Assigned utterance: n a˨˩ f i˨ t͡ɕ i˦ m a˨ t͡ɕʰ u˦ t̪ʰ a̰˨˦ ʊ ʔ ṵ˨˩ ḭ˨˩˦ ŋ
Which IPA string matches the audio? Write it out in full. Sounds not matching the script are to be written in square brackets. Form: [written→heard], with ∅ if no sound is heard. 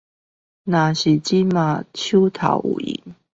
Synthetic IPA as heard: n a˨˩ [f→ɕ] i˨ t͡ɕ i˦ m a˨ t͡ɕʰ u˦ t̪ʰ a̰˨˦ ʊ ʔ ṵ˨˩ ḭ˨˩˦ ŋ